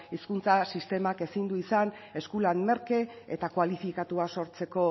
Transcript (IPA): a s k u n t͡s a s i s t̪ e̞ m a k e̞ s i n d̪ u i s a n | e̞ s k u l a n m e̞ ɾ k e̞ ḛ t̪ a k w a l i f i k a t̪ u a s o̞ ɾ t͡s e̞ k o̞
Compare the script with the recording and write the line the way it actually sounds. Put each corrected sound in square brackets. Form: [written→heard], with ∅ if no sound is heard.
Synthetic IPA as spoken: [a→i] s k u n t͡s a s i s t̪ e̞ m a k e̞ s i n d̪ u i s a n | e̞ s k u l a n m e̞ ɾ k e̞ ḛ t̪ a k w a l i f i k a t̪ u a s o̞ ɾ t͡s e̞ k o̞